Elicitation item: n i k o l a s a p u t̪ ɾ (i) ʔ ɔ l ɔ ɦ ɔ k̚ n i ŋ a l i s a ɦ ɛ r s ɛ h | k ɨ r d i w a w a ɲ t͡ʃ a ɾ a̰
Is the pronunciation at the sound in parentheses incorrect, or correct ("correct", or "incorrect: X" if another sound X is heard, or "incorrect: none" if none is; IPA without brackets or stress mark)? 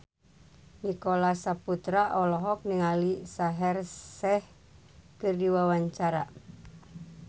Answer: incorrect: a